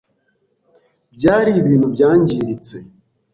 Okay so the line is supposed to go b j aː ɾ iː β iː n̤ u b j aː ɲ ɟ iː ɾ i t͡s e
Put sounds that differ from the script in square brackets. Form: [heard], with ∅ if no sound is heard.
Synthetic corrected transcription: b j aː ɾ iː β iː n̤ u b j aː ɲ ɟ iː ɾ i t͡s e